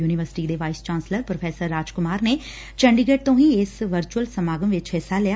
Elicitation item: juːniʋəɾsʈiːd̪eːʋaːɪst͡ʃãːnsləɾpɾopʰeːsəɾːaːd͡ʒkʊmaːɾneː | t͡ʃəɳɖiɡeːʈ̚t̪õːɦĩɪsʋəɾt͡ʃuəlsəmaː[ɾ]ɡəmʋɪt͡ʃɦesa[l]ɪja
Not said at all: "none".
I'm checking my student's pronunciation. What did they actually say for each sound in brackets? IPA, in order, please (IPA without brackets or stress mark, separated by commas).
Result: none, l